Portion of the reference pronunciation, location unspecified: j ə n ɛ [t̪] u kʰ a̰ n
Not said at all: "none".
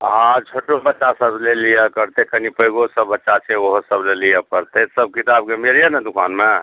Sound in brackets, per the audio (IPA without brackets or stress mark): d̪